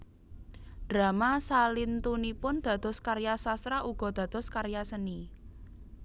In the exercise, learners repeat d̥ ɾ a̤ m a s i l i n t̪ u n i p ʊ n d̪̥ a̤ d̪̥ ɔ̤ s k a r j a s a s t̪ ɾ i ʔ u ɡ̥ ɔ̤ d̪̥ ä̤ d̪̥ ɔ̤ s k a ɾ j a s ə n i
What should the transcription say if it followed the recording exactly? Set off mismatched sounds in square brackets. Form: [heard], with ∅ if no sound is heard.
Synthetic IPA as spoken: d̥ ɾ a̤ m a s [a] l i n t̪ u n i p ʊ n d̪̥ a̤ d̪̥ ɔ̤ s k a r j a s a s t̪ ɾ [a] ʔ u ɡ̥ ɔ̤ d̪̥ ä̤ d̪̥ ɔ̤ s k a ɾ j a s ə n i